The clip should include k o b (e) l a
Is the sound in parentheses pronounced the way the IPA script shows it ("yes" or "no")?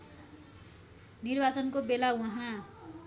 yes